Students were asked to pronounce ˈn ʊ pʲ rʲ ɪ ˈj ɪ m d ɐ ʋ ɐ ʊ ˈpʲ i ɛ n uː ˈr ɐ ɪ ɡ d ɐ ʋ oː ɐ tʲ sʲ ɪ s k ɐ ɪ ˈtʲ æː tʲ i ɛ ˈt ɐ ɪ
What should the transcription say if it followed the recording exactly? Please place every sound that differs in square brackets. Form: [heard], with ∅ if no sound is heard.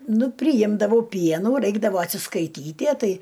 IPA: ˈn ʊ pʲ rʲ ɪ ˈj ɪ m d ɐ ʋ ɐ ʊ ˈpʲ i ɛ n uː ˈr ɐ ɪ ɡ d ɐ ʋ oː ɐ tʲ sʲ ɪ s k ɐ ɪ ˈtʲ [iː] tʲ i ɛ ˈt ɐ ɪ

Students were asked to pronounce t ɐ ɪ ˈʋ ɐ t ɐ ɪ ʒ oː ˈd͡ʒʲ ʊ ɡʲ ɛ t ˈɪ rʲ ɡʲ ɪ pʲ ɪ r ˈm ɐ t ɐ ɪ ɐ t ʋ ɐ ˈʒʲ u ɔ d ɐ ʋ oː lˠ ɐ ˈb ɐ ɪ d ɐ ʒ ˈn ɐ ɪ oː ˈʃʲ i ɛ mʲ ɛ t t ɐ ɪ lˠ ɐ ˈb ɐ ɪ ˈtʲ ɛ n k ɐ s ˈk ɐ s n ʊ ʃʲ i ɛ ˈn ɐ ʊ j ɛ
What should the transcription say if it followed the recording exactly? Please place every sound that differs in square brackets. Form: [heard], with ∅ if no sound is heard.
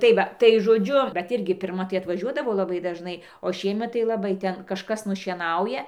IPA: t ɐ ɪ ˈʋ ɐ t ɐ ɪ ʒ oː ˈd͡ʒʲ ʊ [bʲ] ɛ t ˈɪ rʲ ɡʲ ɪ pʲ ɪ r ˈm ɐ t ɐ ɪ ɐ t ʋ ɐ ˈʒʲ u ɔ d ɐ ʋ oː lˠ ɐ ˈb ɐ ɪ d ɐ ʒ ˈn ɐ ɪ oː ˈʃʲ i ɛ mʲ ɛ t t ɐ ɪ lˠ ɐ ˈb ɐ ɪ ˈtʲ ɛ n k ɐ [ʃ] ˈk ɐ s n ʊ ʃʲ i ɛ ˈn ɐ ʊ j ɛ

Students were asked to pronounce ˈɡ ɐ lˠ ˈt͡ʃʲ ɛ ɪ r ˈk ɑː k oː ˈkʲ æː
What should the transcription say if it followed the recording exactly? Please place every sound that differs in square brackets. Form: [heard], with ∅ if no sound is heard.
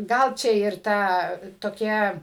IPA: ˈɡ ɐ lˠ ˈt͡ʃʲ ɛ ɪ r [ˈt] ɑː [t] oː ˈkʲ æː

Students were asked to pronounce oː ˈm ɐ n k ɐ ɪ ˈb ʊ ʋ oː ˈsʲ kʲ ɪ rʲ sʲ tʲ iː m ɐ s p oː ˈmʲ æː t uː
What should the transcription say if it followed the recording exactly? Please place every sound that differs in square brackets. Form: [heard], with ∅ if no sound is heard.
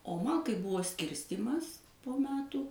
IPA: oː ˈm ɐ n k ɐ ɪ ˈb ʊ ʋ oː ˈsʲ kʲ ɪ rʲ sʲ tʲ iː m ɐ s p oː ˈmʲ æː t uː

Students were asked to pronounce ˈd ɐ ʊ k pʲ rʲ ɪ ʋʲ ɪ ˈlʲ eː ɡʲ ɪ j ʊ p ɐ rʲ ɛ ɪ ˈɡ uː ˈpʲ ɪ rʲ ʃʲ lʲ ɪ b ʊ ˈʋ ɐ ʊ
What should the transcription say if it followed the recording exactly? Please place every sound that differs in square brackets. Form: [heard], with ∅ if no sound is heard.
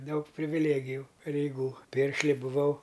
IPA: ˈd ɐ ʊ k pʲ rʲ ɪ ʋʲ ɪ ˈlʲ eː ɡʲ ɪ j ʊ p ɐ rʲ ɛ ɪ ˈɡ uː ˈpʲ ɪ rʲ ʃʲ lʲ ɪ b ʊ ˈʋ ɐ ʊ

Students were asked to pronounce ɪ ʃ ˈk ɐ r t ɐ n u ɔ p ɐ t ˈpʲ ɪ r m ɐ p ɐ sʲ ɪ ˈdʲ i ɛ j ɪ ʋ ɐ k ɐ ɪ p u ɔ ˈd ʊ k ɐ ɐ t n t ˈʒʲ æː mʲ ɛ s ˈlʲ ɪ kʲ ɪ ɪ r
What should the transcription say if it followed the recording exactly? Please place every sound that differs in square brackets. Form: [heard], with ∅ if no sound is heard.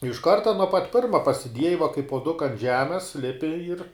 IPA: ɪ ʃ ˈk ɐ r t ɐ n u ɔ p ɐ t ˈpʲ ɪ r m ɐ p ɐ sʲ ɪ ˈdʲ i ɛ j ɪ ʋ ɐ k ɐ ɪ p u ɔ ˈd ʊ k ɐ ɐ [∅] n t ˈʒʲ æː mʲ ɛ s ˈlʲ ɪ [pʲ] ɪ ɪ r

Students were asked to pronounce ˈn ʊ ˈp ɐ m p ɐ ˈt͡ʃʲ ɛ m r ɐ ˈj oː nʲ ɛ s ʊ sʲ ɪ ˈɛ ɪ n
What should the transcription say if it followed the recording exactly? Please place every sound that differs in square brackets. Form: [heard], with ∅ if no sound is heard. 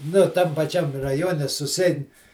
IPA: ˈn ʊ [ˈt] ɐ m p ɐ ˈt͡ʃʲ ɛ m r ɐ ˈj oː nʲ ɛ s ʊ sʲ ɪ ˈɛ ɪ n

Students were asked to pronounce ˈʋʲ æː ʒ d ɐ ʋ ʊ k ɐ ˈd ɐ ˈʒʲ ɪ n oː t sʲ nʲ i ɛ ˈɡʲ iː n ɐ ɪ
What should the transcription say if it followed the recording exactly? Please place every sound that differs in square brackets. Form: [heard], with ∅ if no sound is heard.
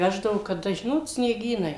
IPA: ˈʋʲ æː ʒ d ɐ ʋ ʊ k ɐ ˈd ɐ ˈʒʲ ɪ n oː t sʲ nʲ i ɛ ˈɡʲ iː n ɐ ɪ

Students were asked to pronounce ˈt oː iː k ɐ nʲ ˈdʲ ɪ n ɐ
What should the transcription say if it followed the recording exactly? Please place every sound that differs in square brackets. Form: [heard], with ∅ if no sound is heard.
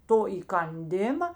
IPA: ˈt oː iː k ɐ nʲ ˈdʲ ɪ [m] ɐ

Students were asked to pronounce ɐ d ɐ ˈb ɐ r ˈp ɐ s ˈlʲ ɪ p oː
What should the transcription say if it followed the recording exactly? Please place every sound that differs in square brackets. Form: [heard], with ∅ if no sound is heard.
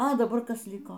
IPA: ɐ d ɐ ˈb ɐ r [ˈk] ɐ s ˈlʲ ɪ [k] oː

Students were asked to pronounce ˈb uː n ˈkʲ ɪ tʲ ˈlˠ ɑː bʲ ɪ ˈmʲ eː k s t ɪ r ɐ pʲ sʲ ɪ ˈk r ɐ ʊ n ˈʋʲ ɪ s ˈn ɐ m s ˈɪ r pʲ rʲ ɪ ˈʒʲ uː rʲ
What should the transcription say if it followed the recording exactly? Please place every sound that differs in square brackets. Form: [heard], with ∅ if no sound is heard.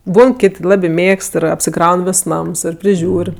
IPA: ˈb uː n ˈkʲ ɪ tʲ ˈlˠ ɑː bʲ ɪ ˈmʲ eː k s t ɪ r ɐ pʲ sʲ ɪ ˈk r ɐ ʊ n ˈʋʲ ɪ s ˈn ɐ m s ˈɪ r pʲ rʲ ɪ ˈʒʲ uː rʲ

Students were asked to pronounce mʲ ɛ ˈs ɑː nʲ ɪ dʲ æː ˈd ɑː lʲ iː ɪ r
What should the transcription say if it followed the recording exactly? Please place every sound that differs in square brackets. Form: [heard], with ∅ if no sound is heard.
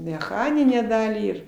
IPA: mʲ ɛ [ˈx] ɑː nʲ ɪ [nʲ] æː ˈd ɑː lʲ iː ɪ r

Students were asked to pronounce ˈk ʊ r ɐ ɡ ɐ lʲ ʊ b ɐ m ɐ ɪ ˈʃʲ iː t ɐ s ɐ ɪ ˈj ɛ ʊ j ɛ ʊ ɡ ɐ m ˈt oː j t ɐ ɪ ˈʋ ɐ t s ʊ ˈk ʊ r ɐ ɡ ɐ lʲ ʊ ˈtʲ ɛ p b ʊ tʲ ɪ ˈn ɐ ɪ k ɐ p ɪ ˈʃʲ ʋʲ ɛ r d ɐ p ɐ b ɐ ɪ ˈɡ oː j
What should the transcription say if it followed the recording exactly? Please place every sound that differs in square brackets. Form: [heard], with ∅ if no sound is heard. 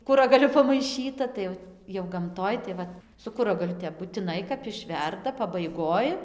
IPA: ˈk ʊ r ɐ ɡ ɐ lʲ ʊ [p] ɐ m ɐ ɪ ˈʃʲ iː t ɐ [t] ɐ ɪ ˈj ɛ ʊ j ɛ ʊ ɡ ɐ m ˈt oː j t ɐ ɪ ˈʋ ɐ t s ʊ ˈk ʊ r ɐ ɡ ɐ lʲ ʊ ˈtʲ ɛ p b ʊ tʲ ɪ ˈn ɐ ɪ k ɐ p ɪ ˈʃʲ ʋʲ ɛ r d ɐ p ɐ b ɐ ɪ ˈɡ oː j

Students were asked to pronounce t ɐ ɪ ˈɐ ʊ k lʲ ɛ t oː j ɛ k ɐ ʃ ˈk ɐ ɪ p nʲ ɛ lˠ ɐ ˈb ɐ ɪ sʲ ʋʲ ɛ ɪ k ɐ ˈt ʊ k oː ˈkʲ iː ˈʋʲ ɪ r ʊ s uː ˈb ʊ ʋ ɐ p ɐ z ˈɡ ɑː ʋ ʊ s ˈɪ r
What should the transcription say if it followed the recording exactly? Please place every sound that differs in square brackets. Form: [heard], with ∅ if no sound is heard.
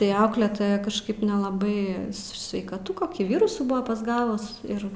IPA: t ɐ ɪ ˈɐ ʊ k lʲ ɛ t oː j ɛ k ɐ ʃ ˈk ɐ ɪ p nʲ ɛ lˠ ɐ ˈb ɐ ɪ sʲ ʋʲ ɛ ɪ k ɐ ˈt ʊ k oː ˈkʲ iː ˈʋʲ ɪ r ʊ s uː ˈb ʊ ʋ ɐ p ɐ z ˈɡ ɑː ʋ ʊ s ˈɪ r

